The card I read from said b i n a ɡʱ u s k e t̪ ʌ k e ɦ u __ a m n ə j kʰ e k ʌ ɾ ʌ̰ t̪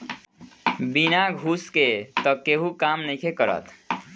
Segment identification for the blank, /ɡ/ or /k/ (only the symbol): k